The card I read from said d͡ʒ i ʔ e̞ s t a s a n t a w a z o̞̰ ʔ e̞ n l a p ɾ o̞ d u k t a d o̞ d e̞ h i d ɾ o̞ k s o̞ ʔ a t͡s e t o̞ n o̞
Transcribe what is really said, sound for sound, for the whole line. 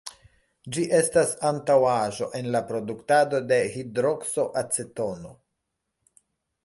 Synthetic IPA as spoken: d͡ʒ i ʔ e̞ s t a s a n t a w a ʒ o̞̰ ʔ e̞ n l a p ɾ o̞ d u k t a d o̞ d e̞ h i d ɾ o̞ k s o̞ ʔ a t͡s e t o̞ n o̞